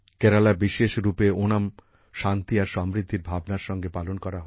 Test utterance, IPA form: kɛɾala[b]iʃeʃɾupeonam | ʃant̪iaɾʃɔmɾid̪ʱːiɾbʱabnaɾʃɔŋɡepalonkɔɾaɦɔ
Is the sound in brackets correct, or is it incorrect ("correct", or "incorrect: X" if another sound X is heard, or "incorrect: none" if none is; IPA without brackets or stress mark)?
correct